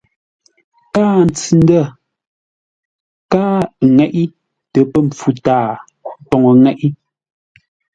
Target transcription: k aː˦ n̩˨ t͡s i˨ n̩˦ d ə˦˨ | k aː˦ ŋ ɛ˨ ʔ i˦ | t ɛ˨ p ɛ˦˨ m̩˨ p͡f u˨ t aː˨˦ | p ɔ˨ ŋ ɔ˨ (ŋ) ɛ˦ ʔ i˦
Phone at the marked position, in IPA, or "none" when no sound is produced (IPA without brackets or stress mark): ŋ